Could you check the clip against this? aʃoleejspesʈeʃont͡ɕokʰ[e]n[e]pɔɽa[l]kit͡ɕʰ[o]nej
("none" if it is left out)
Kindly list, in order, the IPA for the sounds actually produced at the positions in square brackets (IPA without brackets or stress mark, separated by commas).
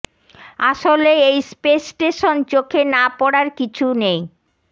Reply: e, a, ɾ, u